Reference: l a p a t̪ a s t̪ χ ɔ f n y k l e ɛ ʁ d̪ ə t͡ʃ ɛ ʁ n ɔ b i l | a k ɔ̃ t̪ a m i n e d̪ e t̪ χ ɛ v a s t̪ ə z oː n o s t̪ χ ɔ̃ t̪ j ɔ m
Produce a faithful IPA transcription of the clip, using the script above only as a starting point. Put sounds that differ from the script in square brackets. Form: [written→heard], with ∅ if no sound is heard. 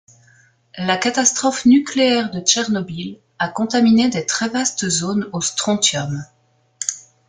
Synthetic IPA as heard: l a [p→k] a t̪ a s t̪ χ ɔ f n y k l e ɛ ʁ d̪ ə t͡ʃ ɛ ʁ n ɔ b i l | a k ɔ̃ t̪ a m i n e d̪ e t̪ χ ɛ v a s t̪ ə z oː n o s t̪ χ ɔ̃ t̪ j ɔ m